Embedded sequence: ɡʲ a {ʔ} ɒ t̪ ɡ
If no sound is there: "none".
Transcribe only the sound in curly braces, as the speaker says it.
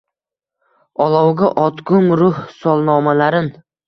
ʔ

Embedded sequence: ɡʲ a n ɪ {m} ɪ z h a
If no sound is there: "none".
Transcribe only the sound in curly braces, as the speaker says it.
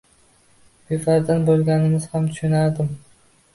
m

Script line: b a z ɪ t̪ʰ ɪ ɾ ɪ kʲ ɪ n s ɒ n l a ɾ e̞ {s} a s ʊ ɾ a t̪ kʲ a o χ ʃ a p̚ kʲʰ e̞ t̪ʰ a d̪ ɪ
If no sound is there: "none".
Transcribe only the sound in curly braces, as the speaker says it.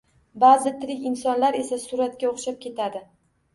s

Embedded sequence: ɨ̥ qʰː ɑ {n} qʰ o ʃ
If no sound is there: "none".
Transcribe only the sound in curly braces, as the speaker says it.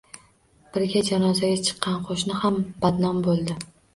n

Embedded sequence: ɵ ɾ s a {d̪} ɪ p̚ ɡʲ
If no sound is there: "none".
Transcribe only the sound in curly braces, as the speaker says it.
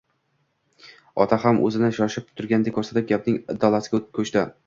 t̪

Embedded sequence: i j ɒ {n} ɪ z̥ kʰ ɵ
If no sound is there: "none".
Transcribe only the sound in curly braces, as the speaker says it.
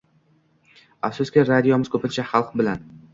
m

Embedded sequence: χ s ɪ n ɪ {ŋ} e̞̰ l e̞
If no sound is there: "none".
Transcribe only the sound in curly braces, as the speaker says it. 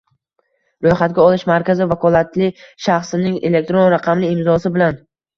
ŋ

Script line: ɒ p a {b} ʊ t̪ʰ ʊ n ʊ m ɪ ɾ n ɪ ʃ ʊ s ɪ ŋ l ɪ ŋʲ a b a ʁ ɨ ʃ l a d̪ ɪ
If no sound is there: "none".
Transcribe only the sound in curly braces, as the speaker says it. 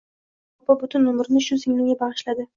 b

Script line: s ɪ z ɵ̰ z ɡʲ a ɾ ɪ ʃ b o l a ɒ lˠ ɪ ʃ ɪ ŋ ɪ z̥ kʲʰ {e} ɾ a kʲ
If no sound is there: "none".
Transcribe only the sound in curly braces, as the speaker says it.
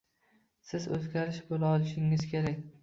e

